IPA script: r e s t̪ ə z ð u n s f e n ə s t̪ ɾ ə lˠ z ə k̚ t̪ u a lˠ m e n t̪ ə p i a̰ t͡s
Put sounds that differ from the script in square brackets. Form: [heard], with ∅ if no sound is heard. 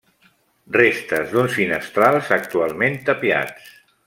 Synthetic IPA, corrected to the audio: r e s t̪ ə z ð u n s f [i] n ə s t̪ ɾ [a] lˠ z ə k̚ t̪ u a lˠ m e n t̪ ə p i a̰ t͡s